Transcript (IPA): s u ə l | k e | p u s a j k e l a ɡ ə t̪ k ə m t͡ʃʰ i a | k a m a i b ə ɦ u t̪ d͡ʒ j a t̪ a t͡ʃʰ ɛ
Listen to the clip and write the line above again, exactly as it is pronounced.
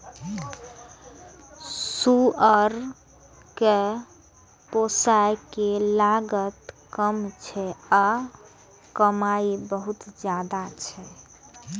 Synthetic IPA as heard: s u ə ɾ | k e | p o s a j k e l a ɡ ə t̪ k ə m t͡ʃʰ ɛ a | k ə m a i b ə ɦ u t̪ d͡ʒ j a d̪ a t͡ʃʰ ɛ